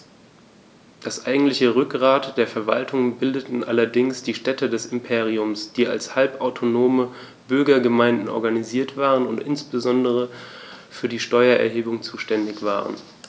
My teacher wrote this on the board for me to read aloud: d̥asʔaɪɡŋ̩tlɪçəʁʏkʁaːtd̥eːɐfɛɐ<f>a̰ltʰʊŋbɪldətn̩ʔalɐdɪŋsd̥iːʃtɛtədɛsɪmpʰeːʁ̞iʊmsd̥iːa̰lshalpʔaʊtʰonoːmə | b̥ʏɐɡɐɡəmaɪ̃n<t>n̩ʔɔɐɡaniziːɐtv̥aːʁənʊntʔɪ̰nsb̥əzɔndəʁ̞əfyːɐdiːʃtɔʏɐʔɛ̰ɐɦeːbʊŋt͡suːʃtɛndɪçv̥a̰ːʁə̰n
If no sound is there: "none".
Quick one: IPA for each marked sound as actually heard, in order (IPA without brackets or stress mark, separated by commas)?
v, d